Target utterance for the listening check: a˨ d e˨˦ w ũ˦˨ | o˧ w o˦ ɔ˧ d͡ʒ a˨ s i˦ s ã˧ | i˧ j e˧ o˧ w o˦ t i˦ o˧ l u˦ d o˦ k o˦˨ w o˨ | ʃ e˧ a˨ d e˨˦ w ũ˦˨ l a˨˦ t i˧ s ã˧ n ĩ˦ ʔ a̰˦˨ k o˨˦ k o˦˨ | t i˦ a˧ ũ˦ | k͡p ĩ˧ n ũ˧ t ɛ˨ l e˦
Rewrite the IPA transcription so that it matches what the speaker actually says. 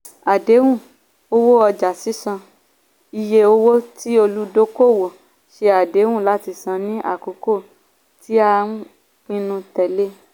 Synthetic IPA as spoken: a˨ d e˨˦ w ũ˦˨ | o˧ w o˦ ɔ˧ d͡ʒ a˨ s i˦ s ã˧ | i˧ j e˧ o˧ w o˦ t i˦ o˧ l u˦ d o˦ k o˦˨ w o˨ | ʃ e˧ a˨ d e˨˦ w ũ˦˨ l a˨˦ t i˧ s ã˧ n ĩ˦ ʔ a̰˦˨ k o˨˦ k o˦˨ | t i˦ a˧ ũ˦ | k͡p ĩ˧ n ũ˧ t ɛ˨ l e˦